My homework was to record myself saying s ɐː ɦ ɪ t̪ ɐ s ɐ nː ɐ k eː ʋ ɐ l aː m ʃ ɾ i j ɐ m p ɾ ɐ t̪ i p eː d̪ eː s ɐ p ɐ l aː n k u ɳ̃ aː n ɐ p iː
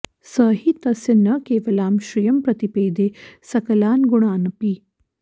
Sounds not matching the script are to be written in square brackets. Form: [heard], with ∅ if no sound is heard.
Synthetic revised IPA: s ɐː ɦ [i] t̪ ɐ s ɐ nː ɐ k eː ʋ ɐ l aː m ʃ ɾ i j ɐ m p ɾ ɐ t̪ i p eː d̪ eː s ɐ [k] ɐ l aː n [ɡ] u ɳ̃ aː n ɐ p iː